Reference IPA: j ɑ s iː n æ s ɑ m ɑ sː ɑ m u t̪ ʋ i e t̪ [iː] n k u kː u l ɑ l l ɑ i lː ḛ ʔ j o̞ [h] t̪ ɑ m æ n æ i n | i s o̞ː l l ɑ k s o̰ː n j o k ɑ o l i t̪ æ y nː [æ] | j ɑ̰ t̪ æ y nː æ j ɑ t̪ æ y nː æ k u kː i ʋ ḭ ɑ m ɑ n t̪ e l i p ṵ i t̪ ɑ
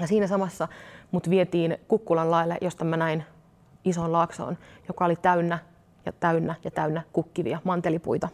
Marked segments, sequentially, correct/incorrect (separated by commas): correct, incorrect, correct